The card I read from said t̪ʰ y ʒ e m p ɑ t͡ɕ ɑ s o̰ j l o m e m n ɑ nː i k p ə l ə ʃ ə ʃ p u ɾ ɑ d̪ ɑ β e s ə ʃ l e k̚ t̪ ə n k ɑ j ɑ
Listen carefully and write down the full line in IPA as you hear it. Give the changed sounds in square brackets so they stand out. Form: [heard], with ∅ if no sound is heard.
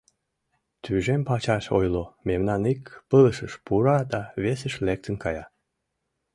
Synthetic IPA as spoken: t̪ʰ y ʒ e m p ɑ t͡ɕ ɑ [ʃ] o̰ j l o m e m n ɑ [n] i k p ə l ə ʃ ə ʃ p u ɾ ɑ d̪ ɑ β e s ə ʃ l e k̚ t̪ ə n k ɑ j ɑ